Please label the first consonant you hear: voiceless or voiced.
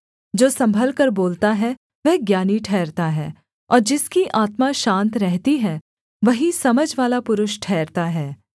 voiced